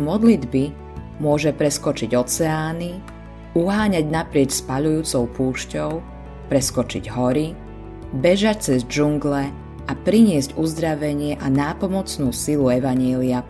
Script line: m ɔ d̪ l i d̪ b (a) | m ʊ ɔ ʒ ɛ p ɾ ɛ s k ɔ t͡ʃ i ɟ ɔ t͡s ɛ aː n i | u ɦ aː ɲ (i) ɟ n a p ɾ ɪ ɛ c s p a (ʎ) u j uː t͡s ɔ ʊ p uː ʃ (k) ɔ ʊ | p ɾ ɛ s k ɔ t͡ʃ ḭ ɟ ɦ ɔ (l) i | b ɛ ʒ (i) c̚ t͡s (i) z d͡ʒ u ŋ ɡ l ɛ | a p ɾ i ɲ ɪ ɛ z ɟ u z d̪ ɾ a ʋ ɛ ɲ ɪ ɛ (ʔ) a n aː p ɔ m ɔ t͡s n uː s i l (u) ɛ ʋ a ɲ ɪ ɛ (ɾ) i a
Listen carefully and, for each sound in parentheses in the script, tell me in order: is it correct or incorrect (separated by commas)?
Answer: incorrect, incorrect, correct, incorrect, incorrect, incorrect, incorrect, correct, correct, incorrect